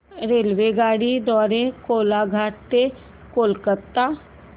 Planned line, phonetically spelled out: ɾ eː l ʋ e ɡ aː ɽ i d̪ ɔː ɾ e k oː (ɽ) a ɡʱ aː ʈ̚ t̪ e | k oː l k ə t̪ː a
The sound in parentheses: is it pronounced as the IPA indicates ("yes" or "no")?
no